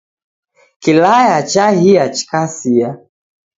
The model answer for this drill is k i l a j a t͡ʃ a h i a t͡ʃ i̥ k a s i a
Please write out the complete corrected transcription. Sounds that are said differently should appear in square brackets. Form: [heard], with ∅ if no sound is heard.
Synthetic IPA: k i l a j a t͡ʃ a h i a t͡ʃ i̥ k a s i a